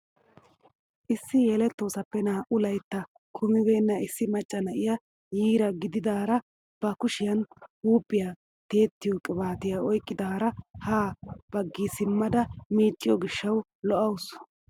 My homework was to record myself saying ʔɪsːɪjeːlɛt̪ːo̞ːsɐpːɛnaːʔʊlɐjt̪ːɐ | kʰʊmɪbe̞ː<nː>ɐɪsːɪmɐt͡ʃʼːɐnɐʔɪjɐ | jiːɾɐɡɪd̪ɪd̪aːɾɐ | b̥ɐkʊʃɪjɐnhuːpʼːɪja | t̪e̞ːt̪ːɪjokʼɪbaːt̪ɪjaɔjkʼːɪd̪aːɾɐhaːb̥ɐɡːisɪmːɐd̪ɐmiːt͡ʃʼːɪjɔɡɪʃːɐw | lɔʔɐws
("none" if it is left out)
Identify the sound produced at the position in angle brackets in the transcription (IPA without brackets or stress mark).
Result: nː